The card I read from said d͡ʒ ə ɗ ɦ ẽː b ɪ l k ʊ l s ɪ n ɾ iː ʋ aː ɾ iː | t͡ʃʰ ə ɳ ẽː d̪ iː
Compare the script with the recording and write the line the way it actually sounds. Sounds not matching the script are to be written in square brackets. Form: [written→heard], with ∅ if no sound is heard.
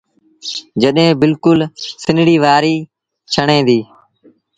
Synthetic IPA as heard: d͡ʒ ə ɗ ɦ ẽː b ɪ l k ʊ l s ɪ n [ɾ→ɽ] iː ʋ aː ɾ iː | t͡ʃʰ ə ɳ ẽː d̪ iː